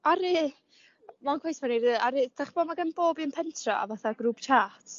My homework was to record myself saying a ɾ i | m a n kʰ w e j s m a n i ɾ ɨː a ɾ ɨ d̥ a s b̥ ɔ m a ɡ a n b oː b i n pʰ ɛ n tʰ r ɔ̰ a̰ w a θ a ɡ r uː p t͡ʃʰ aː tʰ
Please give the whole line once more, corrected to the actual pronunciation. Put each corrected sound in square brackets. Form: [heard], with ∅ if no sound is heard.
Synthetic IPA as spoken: a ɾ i | m a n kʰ w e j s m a n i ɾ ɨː a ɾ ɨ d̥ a [χ] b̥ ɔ m a ɡ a n b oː b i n pʰ ɛ n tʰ r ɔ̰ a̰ [v] a θ a ɡ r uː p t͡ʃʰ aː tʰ